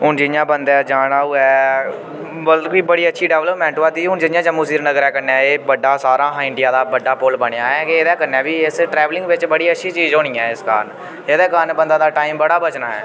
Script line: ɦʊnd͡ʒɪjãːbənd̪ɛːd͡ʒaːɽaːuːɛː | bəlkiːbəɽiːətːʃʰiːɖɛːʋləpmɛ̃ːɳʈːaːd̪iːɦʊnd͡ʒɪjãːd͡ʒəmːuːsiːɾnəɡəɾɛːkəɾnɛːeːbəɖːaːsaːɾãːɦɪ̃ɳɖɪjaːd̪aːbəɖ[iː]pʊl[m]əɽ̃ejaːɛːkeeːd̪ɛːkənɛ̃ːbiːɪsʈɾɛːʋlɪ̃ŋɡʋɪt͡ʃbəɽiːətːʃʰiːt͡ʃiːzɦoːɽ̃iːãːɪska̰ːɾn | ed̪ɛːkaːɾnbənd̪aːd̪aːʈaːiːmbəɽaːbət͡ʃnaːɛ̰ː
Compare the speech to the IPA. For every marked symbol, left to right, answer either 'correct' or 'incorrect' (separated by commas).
incorrect, incorrect